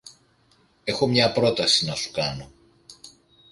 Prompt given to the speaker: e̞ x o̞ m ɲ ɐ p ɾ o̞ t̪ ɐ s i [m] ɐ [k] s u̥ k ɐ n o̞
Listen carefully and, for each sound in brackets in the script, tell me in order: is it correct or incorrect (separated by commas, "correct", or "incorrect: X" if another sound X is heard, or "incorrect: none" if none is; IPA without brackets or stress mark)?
incorrect: n, incorrect: none